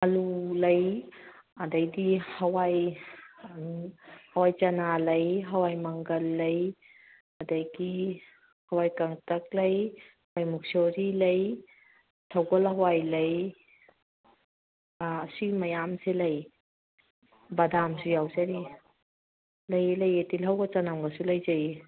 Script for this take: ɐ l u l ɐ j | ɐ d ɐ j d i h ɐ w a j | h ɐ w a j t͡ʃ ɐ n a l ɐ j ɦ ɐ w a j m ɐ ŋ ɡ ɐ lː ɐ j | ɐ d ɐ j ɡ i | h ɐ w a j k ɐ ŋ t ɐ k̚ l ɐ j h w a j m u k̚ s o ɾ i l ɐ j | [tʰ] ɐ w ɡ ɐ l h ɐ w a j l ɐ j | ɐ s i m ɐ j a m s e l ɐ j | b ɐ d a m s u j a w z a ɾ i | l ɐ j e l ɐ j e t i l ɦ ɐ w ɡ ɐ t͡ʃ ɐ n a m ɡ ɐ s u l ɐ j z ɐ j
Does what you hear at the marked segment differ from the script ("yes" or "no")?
no